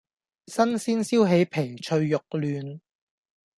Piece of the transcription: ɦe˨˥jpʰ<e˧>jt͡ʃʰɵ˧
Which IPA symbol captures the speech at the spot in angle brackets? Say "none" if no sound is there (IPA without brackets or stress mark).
e˨˩